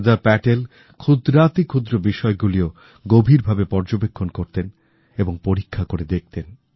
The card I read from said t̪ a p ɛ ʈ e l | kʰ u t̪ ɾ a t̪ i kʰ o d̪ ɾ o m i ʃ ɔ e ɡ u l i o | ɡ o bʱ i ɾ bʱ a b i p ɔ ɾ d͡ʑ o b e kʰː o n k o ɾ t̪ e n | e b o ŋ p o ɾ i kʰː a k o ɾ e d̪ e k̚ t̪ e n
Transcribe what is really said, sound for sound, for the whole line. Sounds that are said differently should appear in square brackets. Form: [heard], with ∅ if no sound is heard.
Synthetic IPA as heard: [d̪] a p ɛ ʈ e l | kʰ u [d̪] ɾ a t̪ i kʰ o d̪ ɾ o [b] i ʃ ɔ e ɡ u l i o | ɡ o bʱ i ɾ bʱ a b [e] p ɔ ɾ d͡ʑ o b e kʰː o n k o ɾ t̪ e n | e b o ŋ p o ɾ i kʰː a k o ɾ e d̪ e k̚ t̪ e n

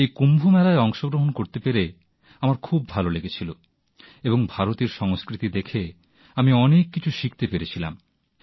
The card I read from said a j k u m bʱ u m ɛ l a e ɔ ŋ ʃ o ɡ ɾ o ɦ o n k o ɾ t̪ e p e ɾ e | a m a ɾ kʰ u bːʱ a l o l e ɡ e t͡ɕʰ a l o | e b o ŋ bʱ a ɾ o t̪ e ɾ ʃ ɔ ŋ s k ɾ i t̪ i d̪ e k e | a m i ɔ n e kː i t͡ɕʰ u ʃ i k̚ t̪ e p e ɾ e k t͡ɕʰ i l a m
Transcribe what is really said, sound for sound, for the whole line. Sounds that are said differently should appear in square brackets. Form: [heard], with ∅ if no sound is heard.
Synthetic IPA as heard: [e] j k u m bʱ u m ɛ l a e ɔ ŋ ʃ o ɡ ɾ o ɦ o n k o ɾ t̪ e p e ɾ e | a m a ɾ kʰ u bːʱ a l o l e ɡ e t͡ɕʰ [i] l o | e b o ŋ bʱ a ɾ o t̪ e ɾ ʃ ɔ ŋ s k ɾ i t̪ i d̪ e [kʰ] e | a m i ɔ n e kː i t͡ɕʰ u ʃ i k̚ t̪ e p e ɾ e [∅] t͡ɕʰ i l a m

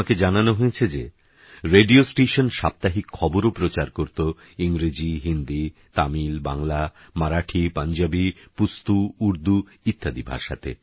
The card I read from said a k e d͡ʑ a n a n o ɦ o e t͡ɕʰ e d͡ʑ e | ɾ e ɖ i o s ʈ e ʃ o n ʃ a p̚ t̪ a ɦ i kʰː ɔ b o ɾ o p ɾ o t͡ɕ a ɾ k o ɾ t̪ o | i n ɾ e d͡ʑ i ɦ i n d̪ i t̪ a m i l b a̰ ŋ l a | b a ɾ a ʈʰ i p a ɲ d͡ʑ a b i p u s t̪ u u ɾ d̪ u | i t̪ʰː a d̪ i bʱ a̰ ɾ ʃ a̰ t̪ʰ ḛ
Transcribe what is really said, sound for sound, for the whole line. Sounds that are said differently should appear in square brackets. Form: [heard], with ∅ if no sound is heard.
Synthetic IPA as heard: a k e d͡ʑ a n a n o ɦ o e t͡ɕʰ e d͡ʑ e | ɾ e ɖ i o s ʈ e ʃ o n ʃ a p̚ t̪ a ɦ i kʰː ɔ b o ɾ o p ɾ o t͡ɕ a ɾ k o ɾ t̪ o | i [ŋ] ɾ e d͡ʑ i ɦ i n d̪ i t̪ a m i l b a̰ ŋ l a | [m] a ɾ a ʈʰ i p a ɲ d͡ʑ a b i p u s t̪ u u ɾ d̪ u | i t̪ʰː a d̪ i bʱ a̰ ɾ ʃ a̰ t̪ʰ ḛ

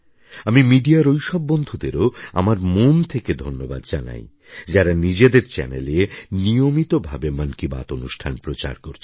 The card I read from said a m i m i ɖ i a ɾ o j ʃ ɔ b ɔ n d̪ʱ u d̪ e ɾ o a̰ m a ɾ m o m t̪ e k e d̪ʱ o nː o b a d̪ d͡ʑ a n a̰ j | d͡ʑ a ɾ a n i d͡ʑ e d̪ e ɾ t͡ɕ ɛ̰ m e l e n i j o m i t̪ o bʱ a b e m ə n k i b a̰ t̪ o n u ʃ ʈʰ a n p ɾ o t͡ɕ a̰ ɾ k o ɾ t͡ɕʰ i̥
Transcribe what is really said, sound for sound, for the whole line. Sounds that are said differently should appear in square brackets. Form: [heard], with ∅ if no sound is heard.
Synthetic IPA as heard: a m i m i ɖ i a ɾ o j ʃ ɔ [bː] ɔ n d̪ʱ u d̪ e ɾ o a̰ m a ɾ m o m [t̪ʰ] e k e d̪ʱ o nː o b a d̪ d͡ʑ a n a̰ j | d͡ʑ a ɾ a n i d͡ʑ e d̪ e ɾ t͡ɕ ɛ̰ [n] e l e n i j o m i t̪ o bʱ a b e m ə n k i b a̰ t̪ o n u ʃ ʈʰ a n p ɾ o t͡ɕ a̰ ɾ k o ɾ t͡ɕʰ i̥

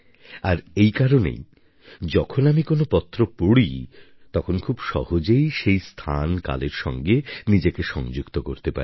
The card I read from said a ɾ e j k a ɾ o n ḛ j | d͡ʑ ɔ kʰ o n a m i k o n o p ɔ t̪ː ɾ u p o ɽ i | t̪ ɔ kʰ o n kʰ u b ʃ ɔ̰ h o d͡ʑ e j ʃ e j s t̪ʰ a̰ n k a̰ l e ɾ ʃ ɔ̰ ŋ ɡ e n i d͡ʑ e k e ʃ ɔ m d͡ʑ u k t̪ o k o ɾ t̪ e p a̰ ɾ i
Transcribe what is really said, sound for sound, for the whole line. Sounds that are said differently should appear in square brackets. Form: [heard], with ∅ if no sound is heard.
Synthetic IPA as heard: a ɾ e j k a ɾ o n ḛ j | d͡ʑ ɔ kʰ o n a m i k o n o p ɔ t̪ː ɾ [o] p o ɽ i | t̪ ɔ kʰ o n kʰ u b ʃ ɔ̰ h o d͡ʑ e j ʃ e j s t̪ʰ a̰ n k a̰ l e ɾ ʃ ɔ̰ ŋ ɡ e n i d͡ʑ e k e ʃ ɔ [ŋ] d͡ʑ u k t̪ o k o ɾ t̪ e p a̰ ɾ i

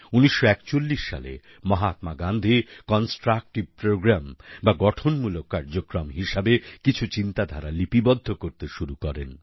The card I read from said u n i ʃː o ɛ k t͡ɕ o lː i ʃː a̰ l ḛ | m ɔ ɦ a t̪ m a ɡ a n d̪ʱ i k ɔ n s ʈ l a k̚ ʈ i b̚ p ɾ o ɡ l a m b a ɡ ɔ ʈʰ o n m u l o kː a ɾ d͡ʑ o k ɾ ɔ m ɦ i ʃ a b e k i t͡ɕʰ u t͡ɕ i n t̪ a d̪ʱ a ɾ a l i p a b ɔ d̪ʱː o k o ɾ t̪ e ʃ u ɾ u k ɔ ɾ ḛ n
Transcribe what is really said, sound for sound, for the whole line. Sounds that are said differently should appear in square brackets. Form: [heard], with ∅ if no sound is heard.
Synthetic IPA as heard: u n i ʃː o ɛ k t͡ɕ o lː i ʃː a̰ l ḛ | m ɔ ɦ a t̪ m a ɡ a n d̪ʱ i k ɔ n s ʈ [ɾ] a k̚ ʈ i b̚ p ɾ o ɡ [ɾ] a m b a ɡ ɔ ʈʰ o n m u l o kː a ɾ d͡ʑ o k ɾ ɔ m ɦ i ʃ a b e k i t͡ɕʰ u t͡ɕ i n t̪ a d̪ʱ a ɾ a l i p [i] b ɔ d̪ʱː o k o ɾ t̪ e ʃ u ɾ u k ɔ ɾ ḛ n

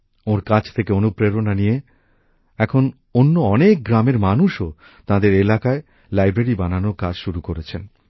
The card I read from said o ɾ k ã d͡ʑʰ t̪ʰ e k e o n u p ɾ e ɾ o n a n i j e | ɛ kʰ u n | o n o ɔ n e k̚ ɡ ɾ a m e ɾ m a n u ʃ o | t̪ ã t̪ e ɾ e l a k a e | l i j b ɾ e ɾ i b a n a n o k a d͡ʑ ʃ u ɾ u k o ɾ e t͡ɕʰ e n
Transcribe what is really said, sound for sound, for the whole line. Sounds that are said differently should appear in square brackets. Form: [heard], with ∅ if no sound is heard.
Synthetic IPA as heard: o ɾ k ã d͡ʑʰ t̪ʰ e k e o n u p ɾ e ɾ o n a n i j e | ɛ kʰ [o] n | o [nː] o ɔ n e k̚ ɡ ɾ a m e ɾ m a n u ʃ o | t̪ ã [d̪] e ɾ e l a k a e | l [a] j b ɾ e ɾ i b a n a n o k a d͡ʑ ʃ u ɾ u k o ɾ e t͡ɕʰ e n

